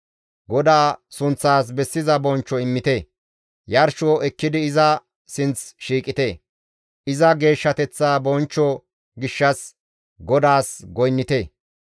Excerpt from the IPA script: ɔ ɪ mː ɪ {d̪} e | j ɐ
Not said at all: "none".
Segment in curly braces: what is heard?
t̪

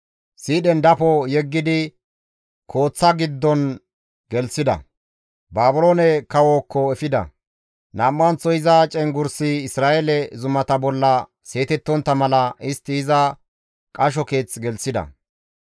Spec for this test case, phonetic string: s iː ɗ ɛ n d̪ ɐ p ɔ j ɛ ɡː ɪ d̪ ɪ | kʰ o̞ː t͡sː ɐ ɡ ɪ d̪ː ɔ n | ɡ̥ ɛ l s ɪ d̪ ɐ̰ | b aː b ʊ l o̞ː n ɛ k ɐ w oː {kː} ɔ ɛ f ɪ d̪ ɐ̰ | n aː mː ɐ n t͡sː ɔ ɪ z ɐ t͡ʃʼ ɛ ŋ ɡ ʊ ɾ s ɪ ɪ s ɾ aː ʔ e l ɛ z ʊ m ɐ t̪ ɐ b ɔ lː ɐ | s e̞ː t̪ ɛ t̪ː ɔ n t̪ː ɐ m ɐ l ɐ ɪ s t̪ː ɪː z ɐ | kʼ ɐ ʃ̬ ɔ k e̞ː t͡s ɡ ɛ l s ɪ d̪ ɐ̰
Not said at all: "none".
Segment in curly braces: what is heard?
kː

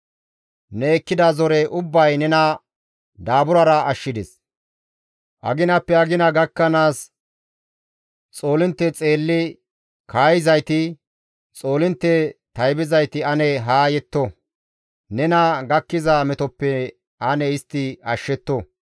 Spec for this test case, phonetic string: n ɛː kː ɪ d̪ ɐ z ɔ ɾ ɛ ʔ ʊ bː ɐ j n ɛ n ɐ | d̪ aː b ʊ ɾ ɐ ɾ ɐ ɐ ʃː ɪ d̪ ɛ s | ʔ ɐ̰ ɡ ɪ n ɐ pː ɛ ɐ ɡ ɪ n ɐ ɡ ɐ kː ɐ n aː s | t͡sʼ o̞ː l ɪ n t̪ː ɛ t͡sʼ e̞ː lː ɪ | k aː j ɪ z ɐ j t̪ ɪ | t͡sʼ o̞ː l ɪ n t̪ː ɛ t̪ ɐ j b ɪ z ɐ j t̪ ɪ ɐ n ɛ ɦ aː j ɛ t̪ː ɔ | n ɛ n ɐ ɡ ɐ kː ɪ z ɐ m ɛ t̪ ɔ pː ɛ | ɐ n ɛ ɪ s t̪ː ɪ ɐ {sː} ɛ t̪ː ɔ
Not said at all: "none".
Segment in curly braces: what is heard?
ʃː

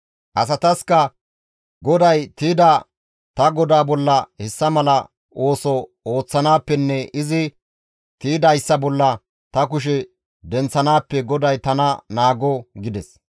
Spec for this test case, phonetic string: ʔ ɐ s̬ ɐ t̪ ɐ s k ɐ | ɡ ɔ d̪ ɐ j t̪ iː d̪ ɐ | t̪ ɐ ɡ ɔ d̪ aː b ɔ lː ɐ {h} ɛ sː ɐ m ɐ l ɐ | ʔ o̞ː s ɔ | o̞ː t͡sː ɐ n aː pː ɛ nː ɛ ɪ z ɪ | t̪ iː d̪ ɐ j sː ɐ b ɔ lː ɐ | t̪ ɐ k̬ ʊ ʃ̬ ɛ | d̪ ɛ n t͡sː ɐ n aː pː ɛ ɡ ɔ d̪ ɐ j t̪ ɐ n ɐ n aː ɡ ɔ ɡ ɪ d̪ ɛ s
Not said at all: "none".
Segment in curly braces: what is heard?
h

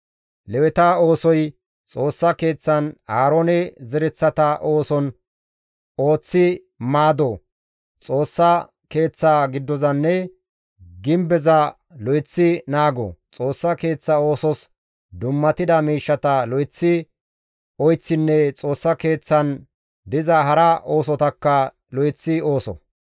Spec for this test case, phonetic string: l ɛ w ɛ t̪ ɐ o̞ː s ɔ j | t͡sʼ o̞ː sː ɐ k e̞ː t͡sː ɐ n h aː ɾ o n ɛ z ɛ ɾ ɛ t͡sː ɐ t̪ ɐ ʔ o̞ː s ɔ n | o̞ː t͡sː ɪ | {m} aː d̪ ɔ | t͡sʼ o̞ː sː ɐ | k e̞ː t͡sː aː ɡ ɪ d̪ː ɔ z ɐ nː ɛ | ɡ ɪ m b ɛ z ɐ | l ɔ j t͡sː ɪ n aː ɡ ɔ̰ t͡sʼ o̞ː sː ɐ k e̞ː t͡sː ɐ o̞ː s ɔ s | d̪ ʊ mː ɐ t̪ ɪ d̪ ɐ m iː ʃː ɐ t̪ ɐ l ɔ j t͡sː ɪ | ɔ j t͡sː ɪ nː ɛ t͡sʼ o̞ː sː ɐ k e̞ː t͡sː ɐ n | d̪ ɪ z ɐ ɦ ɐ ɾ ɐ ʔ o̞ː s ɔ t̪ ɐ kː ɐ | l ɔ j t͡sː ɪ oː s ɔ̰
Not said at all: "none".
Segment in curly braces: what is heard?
m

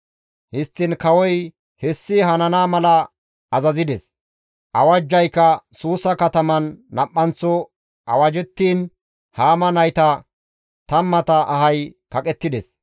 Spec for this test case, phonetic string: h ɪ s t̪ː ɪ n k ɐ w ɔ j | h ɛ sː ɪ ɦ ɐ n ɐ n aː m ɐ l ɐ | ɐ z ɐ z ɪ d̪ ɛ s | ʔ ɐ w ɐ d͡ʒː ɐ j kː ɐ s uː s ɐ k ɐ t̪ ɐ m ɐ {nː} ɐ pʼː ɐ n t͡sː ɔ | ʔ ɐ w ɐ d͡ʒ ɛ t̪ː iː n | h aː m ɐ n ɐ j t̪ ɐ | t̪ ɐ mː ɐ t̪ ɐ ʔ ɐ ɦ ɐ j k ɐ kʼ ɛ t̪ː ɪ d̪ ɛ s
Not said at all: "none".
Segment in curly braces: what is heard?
nː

